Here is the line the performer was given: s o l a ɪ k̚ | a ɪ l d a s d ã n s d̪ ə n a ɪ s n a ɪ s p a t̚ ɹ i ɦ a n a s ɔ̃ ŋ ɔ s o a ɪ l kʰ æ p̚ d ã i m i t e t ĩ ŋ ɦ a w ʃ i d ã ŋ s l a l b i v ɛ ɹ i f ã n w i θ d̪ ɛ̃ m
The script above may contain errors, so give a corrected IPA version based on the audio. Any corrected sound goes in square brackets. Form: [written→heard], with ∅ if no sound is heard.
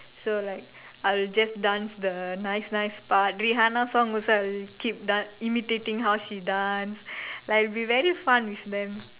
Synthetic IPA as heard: s o l a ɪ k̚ | a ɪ l [d→d͡ʒ] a s d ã n s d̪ ə n a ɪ s n a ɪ s p a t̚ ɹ i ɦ a n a s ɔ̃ ŋ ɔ s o a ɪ l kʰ [æ→i] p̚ d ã i m i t e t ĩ ŋ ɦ a w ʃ i d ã [ŋ→n] s l a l b i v ɛ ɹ i f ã n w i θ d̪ ɛ̃ m

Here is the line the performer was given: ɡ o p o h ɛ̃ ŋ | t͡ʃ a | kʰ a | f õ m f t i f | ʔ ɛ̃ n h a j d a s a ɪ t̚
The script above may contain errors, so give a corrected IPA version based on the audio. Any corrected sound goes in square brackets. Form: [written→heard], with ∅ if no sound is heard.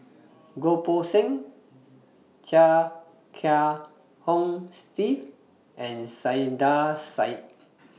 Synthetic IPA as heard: ɡ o p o [h→s] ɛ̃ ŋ | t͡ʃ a | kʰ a | [f→h] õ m [f→s] t i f | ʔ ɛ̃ n [h→s] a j d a s a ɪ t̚

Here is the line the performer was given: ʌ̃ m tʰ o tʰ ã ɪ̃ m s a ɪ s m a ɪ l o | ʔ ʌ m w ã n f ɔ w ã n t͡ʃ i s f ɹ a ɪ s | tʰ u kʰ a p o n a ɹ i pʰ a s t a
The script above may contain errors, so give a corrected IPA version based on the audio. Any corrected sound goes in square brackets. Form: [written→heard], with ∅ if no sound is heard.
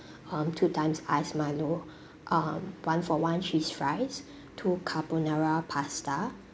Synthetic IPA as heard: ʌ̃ m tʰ [o→u] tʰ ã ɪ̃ m s a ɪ s m a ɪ l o | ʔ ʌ m w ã n f ɔ w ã n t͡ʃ i s f ɹ a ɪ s | tʰ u kʰ a p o n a ɹ [i→a] pʰ a s t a

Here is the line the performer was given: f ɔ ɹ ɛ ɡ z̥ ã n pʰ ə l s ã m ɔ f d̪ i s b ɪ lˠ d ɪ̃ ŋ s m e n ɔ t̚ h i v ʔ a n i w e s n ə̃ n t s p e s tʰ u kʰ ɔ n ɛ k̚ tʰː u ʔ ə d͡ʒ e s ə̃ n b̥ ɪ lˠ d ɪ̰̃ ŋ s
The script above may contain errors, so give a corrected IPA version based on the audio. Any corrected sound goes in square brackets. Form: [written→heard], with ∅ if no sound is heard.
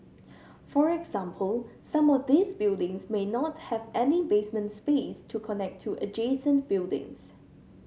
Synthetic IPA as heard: f ɔ ɹ ɛ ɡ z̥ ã [n→m] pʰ ə l s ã m ɔ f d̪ i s b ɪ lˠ d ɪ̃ ŋ s m e n ɔ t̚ h [i→ɛ] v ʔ [a→ɛ] n i [w→b] e s [n→m] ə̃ n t s p e s tʰ u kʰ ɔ n ɛ k̚ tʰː u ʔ ə d͡ʒ e s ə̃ n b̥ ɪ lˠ d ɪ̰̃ ŋ s

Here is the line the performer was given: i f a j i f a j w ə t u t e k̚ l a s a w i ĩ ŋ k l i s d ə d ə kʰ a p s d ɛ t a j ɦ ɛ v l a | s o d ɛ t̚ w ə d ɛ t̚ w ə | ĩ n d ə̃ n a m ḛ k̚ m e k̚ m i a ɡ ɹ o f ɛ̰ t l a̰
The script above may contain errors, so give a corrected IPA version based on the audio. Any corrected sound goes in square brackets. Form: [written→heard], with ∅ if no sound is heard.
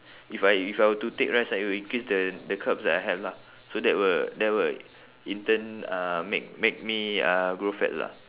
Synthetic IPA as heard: i f a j i f a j w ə t u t e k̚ [l→ɹ] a s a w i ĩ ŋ k [l→ɹ] i s d ə d ə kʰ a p s d ɛ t a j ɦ ɛ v l a | s o d ɛ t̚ w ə d ɛ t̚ w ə | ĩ n [d→t] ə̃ n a m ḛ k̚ m e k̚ m i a ɡ ɹ o f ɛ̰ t l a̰

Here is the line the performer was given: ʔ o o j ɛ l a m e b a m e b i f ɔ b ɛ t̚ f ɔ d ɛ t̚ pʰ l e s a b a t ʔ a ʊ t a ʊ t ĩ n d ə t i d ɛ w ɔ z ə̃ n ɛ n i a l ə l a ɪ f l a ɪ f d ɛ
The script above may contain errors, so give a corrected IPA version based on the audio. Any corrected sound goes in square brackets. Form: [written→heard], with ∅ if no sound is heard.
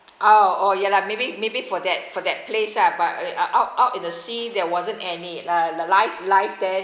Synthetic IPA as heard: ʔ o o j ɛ l a m e b [a→i] m e b i f ɔ [b→d] ɛ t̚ f ɔ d ɛ t̚ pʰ l e s a b a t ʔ a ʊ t a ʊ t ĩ n d ə [t→s] i d ɛ w ɔ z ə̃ n ɛ n i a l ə l a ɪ f l a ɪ f d ɛ

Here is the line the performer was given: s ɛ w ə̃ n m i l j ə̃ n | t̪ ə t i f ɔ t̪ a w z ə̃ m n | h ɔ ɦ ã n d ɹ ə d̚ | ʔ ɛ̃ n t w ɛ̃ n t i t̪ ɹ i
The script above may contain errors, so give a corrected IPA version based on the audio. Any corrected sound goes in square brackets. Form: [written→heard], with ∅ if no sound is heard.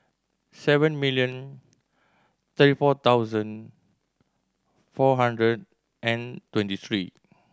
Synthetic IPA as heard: s ɛ [w→v] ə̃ n m i l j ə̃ n | t̪ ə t i f ɔ t̪ a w z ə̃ [m→∅] n | [h→f] ɔ ɦ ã n d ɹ ə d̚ | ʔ ɛ̃ n t w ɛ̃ n t i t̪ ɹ i

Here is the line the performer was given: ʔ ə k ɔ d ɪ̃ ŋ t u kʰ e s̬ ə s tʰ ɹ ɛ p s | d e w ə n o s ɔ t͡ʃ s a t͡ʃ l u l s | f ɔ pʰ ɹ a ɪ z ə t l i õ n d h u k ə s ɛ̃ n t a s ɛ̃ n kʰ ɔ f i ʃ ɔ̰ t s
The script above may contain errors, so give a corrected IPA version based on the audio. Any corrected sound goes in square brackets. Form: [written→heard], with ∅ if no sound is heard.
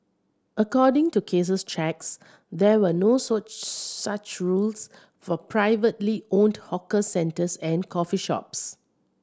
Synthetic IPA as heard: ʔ ə k ɔ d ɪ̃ ŋ t u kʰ e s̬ ə s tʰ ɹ ɛ [p→k] s | d [e→ɛ] w ə n o s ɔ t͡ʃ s a t͡ʃ [l→ɹ] u l s | f ɔ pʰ ɹ a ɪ [z→v] ə t l i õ n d h [u→ɔ] k ə s ɛ̃ n t [a→ə] s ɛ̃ n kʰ ɔ f i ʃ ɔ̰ [t→p] s

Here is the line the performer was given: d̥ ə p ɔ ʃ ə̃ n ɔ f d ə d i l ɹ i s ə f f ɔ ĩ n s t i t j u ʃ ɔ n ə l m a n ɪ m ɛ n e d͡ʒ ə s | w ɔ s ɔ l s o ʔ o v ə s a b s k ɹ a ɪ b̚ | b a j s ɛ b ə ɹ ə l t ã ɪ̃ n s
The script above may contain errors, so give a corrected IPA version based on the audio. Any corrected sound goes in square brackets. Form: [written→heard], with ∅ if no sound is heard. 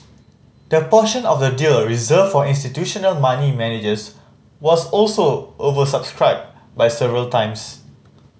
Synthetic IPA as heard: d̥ ə p ɔ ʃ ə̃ n ɔ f d ə d i l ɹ i [s→z] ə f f ɔ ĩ n s t i t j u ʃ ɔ n ə l m a n [ɪ→i] m ɛ n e d͡ʒ ə s | w ɔ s ɔ l s o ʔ o v ə s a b s k ɹ a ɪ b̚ | b a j s ɛ [b→v] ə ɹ ə l t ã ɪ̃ [n→m] s

